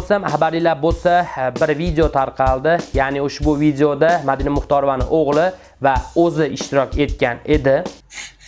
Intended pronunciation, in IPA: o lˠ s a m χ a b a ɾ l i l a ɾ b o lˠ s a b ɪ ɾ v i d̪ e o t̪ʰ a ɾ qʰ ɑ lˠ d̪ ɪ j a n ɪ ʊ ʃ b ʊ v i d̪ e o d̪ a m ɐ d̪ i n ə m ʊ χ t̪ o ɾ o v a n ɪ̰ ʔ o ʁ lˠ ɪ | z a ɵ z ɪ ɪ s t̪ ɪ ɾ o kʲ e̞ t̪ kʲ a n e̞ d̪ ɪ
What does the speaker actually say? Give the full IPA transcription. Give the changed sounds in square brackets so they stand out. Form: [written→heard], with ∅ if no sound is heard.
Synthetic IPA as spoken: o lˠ s a m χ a b a ɾ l i l a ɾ b o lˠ s a b ɪ ɾ v i d̪ e o t̪ʰ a ɾ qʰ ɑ lˠ d̪ ɪ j a n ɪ ʊ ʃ b ʊ v i d̪ e o d̪ a m [ɐ→a] d̪ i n [ə→a] m ʊ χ t̪ [o→ɒ] ɾ o v a n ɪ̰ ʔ o ʁ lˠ ɪ | [z→v] a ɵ z ɪ ɪ [s→ʃ] t̪ ɪ ɾ [o→ɒ] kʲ e̞ t̪ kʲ a n e̞ d̪ ɪ